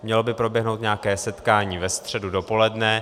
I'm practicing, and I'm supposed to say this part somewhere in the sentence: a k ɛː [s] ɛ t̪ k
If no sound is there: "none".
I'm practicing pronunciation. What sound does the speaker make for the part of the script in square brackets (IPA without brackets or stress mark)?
s